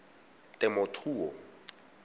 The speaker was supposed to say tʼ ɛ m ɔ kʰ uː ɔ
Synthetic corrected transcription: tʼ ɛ m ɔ tʰ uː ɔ